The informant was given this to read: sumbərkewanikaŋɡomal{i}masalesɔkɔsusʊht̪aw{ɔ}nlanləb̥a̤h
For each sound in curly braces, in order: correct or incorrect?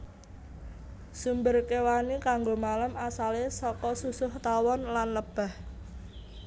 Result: incorrect: a, correct

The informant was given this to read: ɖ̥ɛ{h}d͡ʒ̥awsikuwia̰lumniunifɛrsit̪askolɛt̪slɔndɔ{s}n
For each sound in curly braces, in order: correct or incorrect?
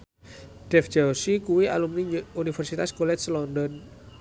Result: incorrect: f, incorrect: none

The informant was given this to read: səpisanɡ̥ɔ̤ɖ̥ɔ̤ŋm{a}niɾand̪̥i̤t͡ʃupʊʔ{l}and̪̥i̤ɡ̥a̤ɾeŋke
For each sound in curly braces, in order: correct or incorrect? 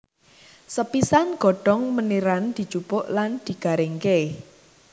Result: incorrect: ə, correct

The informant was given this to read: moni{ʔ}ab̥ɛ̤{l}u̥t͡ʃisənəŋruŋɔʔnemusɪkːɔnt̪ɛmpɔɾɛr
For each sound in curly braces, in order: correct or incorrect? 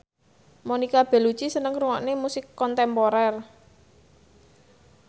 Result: incorrect: k, correct

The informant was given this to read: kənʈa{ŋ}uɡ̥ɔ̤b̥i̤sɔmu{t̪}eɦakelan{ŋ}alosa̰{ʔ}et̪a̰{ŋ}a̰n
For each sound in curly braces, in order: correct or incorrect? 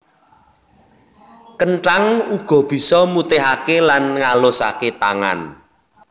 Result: correct, correct, correct, incorrect: k, correct

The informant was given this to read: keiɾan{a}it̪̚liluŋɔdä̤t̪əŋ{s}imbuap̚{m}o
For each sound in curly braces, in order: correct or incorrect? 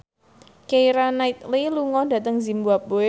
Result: correct, incorrect: z, incorrect: b

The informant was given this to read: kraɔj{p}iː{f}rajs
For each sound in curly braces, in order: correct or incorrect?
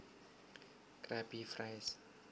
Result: correct, correct

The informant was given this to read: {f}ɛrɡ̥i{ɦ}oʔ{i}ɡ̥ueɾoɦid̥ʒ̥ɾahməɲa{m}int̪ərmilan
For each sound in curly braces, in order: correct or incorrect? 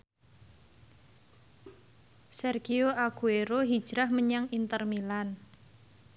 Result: incorrect: s, incorrect: none, incorrect: a, incorrect: ŋ

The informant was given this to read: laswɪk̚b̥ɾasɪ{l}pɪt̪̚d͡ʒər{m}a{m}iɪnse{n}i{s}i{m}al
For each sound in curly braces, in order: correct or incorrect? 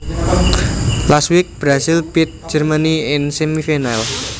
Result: correct, correct, incorrect: n, incorrect: m, incorrect: f, incorrect: n

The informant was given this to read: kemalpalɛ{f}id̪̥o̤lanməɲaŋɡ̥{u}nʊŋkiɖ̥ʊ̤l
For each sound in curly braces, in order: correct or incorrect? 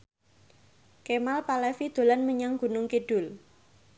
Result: correct, correct

